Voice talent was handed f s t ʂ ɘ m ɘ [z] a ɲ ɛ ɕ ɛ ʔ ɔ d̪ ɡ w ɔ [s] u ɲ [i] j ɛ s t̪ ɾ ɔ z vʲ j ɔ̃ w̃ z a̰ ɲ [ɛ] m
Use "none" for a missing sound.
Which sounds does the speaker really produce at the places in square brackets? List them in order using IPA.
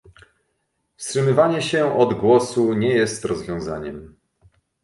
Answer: v, s, ɛ, ɛ

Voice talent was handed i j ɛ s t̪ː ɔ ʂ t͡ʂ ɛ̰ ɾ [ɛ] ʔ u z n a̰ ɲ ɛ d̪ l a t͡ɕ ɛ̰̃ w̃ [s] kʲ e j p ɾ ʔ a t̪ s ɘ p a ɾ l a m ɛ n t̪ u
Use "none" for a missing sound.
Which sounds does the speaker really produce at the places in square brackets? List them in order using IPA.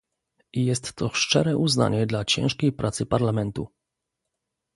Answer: ɛ, ʂ

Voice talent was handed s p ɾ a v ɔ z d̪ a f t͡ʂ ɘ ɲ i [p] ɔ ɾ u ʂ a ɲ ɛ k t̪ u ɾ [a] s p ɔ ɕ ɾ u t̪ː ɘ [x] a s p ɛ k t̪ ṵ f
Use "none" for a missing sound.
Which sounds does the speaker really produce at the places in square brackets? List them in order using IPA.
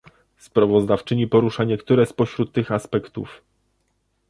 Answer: p, ɛ, x

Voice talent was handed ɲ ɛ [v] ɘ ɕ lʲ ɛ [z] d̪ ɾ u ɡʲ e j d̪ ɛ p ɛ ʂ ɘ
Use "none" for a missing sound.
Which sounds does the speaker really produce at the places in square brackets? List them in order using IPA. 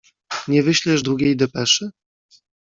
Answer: v, ʐ

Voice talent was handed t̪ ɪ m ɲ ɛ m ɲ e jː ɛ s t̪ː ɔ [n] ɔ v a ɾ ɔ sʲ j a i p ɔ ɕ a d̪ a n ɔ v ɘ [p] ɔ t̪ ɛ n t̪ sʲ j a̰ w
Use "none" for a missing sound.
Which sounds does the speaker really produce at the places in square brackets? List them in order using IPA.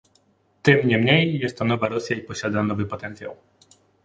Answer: n, p

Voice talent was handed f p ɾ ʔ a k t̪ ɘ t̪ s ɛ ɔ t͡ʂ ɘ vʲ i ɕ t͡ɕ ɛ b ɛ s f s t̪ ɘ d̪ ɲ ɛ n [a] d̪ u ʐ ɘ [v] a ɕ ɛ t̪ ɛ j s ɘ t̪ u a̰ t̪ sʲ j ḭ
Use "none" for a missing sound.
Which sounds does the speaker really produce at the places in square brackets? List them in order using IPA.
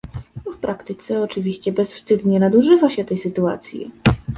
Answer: a, v

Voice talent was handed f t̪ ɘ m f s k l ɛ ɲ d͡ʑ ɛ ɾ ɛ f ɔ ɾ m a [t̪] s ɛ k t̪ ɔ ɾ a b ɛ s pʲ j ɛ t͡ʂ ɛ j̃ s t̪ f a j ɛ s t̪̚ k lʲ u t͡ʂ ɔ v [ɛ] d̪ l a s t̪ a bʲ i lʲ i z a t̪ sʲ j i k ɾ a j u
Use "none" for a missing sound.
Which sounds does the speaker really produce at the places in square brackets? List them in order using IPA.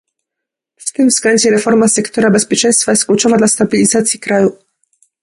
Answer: none, a

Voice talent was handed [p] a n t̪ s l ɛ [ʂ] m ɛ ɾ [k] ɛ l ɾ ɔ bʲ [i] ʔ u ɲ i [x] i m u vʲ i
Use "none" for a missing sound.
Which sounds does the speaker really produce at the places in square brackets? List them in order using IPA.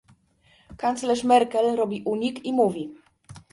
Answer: k, ʂ, k, i, k

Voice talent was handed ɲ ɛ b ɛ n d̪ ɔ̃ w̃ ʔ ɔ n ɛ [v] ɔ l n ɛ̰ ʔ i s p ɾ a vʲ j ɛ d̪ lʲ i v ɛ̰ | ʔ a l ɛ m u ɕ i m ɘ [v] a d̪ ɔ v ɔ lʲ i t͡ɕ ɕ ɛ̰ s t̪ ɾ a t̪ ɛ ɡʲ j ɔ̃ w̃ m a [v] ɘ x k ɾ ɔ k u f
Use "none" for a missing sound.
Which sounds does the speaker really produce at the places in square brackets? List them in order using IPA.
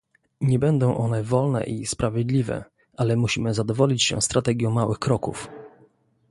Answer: v, z, w

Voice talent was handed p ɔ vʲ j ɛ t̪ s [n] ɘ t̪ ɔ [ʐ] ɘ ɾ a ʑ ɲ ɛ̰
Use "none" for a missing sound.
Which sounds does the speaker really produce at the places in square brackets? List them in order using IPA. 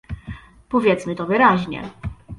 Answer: m, v

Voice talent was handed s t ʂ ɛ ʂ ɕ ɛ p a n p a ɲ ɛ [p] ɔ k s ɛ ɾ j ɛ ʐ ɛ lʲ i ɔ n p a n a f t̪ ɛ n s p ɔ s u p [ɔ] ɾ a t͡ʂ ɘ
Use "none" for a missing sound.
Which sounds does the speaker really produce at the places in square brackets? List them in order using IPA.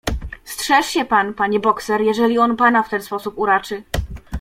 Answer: b, u

